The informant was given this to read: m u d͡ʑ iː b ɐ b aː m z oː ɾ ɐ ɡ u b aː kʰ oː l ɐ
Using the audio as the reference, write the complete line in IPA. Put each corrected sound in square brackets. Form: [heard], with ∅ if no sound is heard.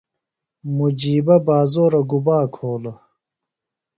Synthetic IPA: m u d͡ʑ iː b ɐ b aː [∅] z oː ɾ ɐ ɡ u b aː kʰ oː l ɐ

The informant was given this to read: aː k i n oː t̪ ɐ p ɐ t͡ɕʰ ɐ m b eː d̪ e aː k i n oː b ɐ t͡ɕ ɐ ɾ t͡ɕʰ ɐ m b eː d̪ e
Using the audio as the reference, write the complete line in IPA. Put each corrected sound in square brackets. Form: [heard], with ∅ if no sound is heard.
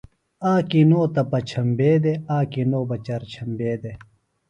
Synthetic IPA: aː k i n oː t̪ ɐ p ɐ t͡ɕʰ ɐ m b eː d̪ e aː k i n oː b ɐ t͡ɕ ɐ ɾ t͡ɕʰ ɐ m b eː d̪ e

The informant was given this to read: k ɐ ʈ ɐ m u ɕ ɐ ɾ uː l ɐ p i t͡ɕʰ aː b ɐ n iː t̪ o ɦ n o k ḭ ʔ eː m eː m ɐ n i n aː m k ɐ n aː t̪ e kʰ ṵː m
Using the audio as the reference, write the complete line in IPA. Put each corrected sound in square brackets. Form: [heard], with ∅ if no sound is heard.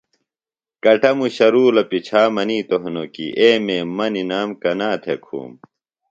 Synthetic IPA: k ɐ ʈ ɐ m u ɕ ɐ ɾ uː l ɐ p i t͡ɕʰ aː [m] ɐ n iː t̪ o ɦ n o k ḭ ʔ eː m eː m ɐ n i n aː m k ɐ n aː [t̪ʰ] e kʰ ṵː m

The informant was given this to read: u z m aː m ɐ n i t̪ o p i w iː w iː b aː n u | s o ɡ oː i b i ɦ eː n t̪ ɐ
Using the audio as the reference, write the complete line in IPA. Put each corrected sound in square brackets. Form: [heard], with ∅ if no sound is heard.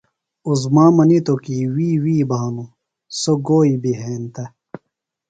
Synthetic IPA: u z m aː m ɐ n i t̪ o [k] i w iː w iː b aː n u | s o ɡ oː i b i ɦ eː n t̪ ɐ

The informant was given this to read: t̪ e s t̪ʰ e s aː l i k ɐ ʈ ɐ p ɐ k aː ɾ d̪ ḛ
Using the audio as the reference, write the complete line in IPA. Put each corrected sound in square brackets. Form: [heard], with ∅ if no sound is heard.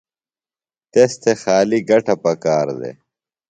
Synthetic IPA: t̪ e s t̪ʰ e [x] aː l i [ɡ] ɐ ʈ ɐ p ɐ k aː ɾ d̪ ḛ

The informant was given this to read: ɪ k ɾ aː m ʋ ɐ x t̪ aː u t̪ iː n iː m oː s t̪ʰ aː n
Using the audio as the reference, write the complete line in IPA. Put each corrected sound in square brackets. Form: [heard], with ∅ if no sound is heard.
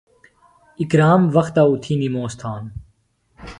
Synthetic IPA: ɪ k ɾ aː m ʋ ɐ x t̪ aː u [t̪ʰ] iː n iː m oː s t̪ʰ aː n

